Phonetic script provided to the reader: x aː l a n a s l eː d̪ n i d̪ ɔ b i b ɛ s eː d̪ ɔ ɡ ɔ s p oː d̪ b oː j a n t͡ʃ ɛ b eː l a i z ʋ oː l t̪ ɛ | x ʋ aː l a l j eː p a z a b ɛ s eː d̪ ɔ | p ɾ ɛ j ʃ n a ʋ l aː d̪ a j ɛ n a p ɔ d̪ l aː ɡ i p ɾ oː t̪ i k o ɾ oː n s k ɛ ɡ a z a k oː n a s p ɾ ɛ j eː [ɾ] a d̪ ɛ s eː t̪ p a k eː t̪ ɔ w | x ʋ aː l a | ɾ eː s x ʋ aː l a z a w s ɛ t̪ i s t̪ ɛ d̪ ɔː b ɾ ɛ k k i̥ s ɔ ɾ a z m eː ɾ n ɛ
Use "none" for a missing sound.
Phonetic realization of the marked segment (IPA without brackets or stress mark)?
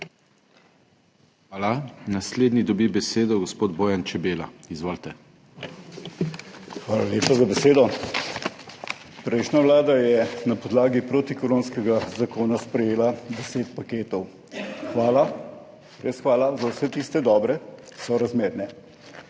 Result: l